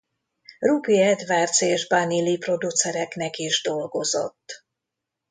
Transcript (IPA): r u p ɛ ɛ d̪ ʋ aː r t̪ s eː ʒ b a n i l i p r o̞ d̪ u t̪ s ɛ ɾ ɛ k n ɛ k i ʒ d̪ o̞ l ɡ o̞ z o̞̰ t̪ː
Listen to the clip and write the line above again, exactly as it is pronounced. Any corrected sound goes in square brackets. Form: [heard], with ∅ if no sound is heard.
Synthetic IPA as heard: r u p [i] ɛ d̪ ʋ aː r t̪ s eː ʒ b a n i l i p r o̞ d̪ u t̪ s ɛ ɾ ɛ k n ɛ k i ʒ d̪ o̞ l ɡ o̞ z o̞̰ t̪ː